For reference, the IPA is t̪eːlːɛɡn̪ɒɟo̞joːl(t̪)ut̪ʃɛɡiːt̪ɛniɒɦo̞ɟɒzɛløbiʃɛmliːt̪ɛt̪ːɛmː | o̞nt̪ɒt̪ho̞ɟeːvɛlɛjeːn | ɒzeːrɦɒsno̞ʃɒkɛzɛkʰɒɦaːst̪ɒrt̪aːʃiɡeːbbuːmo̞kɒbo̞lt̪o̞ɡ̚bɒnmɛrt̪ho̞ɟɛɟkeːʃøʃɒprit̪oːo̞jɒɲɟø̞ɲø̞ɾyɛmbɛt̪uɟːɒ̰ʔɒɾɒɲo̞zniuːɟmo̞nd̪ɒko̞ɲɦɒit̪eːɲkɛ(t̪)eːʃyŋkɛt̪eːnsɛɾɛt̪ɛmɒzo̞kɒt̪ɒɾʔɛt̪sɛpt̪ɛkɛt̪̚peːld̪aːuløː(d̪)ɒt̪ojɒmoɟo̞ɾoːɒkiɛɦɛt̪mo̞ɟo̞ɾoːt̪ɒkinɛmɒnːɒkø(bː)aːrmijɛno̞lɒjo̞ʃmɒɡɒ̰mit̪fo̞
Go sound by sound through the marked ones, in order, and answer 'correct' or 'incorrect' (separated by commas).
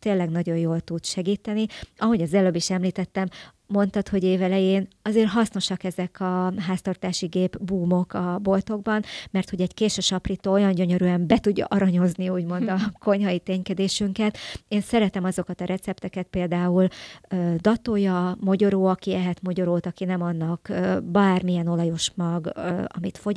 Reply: correct, incorrect, correct, incorrect